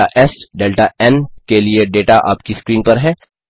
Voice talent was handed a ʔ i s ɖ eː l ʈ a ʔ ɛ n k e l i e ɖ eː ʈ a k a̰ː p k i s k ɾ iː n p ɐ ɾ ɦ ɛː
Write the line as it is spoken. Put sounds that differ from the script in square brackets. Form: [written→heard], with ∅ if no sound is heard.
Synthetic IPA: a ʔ [i→ɛ] s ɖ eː l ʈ a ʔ ɛ n k e l i e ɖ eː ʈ a [k→ʔ] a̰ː p k i s k ɾ iː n p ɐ ɾ ɦ ɛː